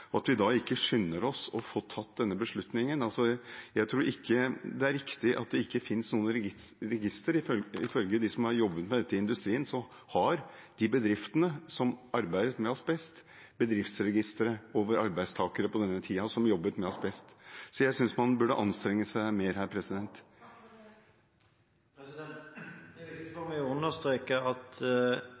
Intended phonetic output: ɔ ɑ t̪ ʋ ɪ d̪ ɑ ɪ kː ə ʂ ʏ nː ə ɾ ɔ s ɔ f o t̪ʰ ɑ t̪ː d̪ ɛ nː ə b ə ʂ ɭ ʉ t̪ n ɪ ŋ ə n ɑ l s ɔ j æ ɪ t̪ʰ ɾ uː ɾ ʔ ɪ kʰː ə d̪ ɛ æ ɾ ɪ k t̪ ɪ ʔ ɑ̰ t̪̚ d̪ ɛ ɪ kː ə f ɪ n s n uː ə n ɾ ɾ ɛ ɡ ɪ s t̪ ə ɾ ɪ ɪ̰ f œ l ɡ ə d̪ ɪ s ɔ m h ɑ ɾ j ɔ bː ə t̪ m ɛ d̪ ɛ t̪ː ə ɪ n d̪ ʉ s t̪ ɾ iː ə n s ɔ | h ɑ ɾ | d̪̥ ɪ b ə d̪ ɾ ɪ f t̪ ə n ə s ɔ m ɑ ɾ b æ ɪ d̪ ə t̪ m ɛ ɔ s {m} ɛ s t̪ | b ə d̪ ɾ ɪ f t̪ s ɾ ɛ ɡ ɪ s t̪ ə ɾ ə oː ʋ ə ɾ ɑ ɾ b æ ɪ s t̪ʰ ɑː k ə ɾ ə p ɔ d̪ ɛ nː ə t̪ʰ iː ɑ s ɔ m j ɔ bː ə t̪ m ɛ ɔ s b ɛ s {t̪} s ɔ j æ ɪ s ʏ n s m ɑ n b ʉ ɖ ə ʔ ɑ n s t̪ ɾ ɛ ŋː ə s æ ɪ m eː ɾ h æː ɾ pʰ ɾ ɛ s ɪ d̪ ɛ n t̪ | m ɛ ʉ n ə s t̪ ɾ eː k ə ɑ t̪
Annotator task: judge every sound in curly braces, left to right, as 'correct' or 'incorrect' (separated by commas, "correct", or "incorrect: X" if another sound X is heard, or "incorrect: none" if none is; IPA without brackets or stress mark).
incorrect: b, correct